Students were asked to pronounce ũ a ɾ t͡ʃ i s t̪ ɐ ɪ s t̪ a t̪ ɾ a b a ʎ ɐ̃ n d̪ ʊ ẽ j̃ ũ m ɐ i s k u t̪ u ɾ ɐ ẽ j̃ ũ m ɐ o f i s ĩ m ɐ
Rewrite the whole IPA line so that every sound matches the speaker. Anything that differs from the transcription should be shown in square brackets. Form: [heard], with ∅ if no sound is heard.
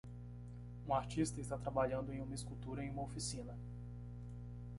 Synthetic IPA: ũ a ɾ t͡ʃ i s t̪ ɐ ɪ s t̪ a t̪ ɾ a b a ʎ ɐ̃ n d̪ ʊ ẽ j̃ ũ m ɐ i s k u t̪ u ɾ ɐ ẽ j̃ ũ m ɐ o f i s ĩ [n] ɐ

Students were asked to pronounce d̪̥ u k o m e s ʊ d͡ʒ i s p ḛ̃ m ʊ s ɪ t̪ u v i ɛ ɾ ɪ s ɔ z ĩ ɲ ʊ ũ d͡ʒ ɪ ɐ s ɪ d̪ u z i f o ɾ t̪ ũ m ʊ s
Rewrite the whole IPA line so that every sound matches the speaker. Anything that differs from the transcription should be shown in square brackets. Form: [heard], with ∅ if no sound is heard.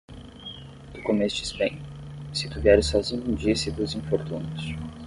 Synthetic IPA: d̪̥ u k o m e s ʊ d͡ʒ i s p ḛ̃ [ɲ] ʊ s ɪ t̪ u v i ɛ ɾ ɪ s ɔ z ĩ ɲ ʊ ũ d͡ʒ [i] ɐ s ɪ d̪ u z [ĩ] f o ɾ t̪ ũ [n] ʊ s

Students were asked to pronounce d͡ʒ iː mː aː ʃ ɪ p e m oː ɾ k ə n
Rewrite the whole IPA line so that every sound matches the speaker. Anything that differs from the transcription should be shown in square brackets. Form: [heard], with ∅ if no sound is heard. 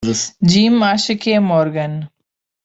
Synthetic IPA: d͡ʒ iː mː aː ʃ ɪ [k] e m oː ɾ [ɡ] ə n

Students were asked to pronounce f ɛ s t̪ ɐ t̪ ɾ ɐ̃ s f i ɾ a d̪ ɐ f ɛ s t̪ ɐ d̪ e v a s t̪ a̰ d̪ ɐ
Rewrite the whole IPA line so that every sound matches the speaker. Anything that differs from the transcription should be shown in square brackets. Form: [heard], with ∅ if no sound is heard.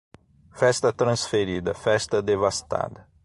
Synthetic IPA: f ɛ s t̪ ɐ t̪ ɾ ɐ̃ s f [e] ɾ [i] d̪ ɐ f ɛ s t̪ ɐ d̪ e v a s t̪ a̰ d̪ ɐ

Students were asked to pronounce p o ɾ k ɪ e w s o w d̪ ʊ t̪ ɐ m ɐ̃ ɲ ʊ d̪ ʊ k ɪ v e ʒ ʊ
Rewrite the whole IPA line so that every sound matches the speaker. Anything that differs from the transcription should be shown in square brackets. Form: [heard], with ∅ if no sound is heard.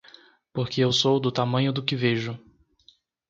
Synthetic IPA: p o ɾ k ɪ e w s o w d̪ ʊ t̪ [a] m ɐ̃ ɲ ʊ d̪ ʊ k ɪ v e ʒ ʊ

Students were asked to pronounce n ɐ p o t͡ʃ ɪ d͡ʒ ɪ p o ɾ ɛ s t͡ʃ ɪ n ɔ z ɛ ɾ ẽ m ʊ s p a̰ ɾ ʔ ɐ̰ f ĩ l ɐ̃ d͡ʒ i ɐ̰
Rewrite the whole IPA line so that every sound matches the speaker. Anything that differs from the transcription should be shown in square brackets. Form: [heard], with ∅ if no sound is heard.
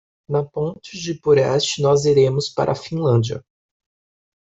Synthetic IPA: n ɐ p [õ] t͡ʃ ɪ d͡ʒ ɪ p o ɾ ɛ s t͡ʃ ɪ n ɔ z [i] ɾ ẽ m ʊ s p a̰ ɾ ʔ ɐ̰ f ĩ l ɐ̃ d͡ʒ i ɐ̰

